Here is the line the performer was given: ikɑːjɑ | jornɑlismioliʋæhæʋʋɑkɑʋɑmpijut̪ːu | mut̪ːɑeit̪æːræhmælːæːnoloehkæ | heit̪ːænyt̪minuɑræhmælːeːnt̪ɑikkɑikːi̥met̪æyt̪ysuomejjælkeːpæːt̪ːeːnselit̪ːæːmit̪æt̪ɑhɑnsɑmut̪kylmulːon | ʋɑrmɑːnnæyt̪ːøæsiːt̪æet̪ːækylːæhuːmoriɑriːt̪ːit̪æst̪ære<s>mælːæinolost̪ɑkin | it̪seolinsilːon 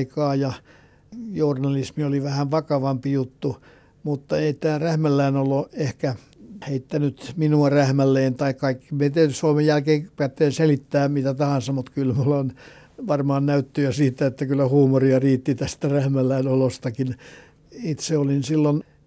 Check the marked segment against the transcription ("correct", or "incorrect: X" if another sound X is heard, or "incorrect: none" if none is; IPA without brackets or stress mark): incorrect: h